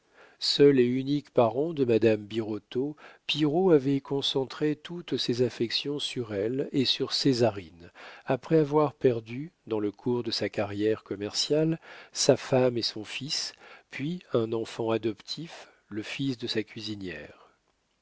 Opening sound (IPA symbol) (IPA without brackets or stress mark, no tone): s